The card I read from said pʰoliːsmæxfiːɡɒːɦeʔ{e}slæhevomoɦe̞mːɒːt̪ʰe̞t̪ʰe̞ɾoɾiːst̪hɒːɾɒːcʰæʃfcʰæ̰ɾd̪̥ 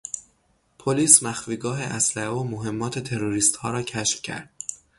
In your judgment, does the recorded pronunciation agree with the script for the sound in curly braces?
no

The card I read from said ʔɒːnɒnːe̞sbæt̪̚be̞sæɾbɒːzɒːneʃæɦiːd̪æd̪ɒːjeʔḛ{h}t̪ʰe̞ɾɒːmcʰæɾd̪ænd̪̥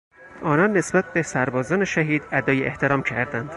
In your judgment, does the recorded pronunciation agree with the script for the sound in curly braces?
yes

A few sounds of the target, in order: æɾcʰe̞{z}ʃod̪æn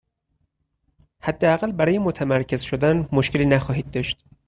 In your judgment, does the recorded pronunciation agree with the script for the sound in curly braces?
yes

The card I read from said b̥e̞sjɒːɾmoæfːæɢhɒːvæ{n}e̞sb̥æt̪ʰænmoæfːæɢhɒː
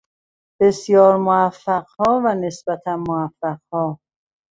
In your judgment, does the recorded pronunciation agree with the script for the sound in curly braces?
yes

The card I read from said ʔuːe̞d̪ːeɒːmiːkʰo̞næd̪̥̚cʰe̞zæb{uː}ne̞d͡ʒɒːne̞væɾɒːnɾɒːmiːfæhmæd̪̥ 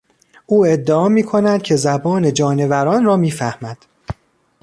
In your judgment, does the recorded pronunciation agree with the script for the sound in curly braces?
no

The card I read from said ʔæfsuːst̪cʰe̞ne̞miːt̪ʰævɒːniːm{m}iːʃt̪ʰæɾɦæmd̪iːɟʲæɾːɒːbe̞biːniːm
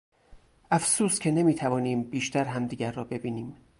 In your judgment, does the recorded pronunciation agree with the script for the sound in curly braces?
no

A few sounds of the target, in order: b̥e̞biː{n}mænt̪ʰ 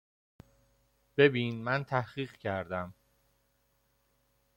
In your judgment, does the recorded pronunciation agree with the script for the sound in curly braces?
yes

